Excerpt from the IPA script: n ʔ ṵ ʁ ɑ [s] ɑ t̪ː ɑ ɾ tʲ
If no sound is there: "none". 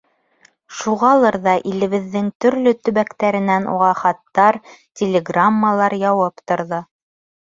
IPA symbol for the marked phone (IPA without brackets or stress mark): χ